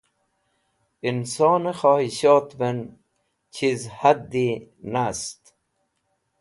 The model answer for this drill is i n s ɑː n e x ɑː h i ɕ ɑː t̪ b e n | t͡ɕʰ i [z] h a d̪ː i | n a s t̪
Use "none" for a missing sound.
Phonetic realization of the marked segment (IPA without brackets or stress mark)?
z